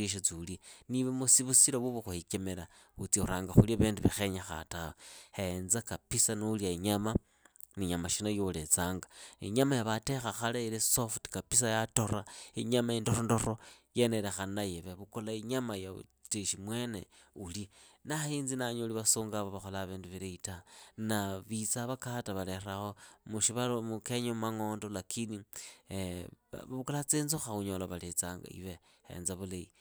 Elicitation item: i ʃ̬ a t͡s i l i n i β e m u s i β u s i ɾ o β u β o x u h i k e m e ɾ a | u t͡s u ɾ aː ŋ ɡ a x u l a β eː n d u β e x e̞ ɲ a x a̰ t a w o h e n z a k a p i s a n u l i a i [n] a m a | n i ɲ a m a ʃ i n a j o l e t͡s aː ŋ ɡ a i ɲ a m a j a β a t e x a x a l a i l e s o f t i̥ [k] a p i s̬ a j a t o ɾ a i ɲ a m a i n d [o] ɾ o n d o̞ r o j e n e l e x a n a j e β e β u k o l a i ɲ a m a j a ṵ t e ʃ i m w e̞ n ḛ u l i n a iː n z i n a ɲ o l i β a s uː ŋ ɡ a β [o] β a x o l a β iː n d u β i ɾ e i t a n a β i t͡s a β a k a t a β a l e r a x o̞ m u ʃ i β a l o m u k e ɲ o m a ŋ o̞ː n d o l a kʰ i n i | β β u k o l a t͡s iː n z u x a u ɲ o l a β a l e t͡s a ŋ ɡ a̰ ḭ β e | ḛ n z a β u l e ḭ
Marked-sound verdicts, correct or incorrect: incorrect: ɲ, correct, correct, correct

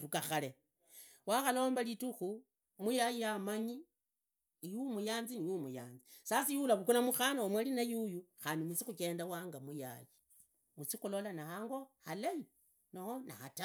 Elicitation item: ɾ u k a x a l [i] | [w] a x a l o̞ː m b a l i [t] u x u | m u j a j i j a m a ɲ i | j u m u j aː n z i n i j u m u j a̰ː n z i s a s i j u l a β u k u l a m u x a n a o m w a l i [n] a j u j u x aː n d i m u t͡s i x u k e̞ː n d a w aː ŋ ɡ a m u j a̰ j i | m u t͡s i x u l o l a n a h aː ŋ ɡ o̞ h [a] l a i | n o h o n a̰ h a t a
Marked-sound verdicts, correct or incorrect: incorrect: e, correct, correct, correct, correct

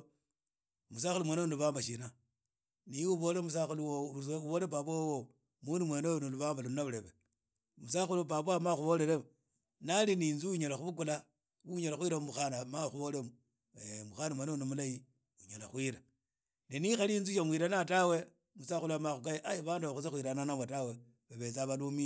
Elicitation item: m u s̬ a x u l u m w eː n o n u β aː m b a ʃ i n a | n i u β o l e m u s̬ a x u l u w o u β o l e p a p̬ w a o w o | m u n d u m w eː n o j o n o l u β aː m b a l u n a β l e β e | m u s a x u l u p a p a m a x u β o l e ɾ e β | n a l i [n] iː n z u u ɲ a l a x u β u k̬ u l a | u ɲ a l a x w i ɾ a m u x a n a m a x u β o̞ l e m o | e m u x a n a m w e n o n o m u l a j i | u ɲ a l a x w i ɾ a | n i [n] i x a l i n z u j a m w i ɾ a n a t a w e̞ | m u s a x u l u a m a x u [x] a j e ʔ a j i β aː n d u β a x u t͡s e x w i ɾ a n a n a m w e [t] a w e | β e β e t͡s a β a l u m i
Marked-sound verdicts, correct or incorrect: correct, correct, incorrect: k, correct

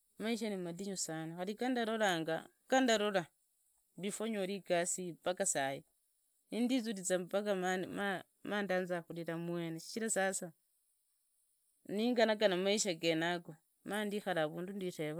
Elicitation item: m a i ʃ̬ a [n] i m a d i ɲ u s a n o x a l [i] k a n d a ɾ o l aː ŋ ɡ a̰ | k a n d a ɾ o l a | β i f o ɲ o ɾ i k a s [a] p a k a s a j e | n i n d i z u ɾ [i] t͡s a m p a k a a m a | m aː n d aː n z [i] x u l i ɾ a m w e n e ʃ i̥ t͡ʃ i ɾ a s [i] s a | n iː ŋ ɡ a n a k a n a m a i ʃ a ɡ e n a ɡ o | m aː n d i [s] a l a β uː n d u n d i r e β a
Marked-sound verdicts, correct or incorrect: correct, correct, incorrect: i, correct, incorrect: a, incorrect: a, incorrect: x

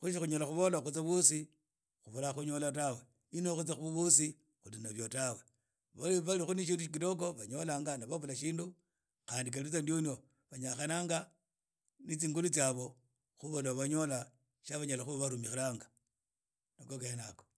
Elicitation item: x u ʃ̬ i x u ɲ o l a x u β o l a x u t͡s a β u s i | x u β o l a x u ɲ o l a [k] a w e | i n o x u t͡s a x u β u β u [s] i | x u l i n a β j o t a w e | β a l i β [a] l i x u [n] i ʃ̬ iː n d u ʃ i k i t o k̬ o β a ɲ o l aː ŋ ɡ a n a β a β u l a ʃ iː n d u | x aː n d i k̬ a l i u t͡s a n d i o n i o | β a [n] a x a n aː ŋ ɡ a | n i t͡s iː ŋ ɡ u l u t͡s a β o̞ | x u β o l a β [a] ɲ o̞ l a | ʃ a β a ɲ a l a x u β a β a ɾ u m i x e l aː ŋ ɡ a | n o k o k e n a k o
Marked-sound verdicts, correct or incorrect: incorrect: t, correct, correct, correct, incorrect: ɲ, correct

